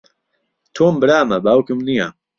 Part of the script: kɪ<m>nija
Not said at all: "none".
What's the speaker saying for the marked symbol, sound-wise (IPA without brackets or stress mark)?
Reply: m